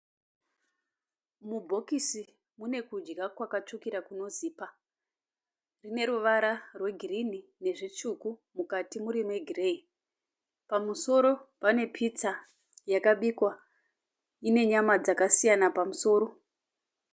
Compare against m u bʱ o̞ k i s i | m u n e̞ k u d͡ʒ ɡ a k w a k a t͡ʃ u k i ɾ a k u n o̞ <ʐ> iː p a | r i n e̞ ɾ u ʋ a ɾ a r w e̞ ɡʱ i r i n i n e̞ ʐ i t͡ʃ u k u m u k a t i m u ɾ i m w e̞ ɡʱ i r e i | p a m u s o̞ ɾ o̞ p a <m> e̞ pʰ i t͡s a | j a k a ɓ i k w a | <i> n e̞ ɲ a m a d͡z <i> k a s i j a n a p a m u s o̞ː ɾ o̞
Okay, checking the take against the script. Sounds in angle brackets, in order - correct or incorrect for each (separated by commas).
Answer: incorrect, incorrect, correct, incorrect